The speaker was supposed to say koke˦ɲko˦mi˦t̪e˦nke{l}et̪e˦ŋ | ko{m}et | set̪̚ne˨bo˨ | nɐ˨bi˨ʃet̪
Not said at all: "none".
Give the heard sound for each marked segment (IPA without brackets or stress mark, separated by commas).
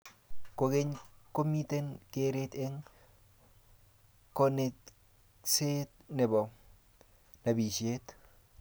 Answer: ɾ, n